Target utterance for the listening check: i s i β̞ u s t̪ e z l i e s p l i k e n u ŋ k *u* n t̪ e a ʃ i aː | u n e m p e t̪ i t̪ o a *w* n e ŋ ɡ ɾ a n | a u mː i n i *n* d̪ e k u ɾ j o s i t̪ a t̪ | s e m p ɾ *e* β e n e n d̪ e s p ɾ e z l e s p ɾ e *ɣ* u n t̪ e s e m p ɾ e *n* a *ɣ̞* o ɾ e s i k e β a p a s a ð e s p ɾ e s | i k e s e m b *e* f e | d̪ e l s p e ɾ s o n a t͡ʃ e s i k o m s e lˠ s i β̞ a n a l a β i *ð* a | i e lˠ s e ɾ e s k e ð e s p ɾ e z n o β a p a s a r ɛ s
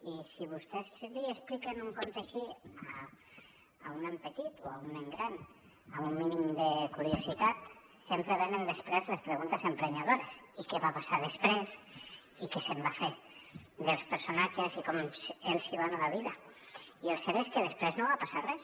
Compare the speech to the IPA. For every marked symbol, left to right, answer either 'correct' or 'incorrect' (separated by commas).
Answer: incorrect, incorrect, incorrect, correct, correct, incorrect, incorrect, incorrect, correct